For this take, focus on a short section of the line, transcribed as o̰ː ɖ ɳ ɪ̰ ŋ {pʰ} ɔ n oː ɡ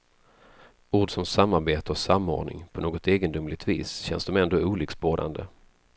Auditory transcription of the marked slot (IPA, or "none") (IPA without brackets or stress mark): pʰ